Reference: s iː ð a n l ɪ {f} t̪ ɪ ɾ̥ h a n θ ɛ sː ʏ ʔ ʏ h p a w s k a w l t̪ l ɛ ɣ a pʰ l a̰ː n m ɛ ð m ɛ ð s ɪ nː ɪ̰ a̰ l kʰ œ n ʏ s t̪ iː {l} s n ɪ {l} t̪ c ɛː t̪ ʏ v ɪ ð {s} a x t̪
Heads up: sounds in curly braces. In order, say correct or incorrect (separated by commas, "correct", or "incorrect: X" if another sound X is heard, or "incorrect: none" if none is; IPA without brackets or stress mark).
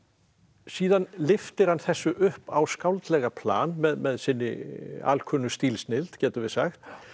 correct, correct, correct, correct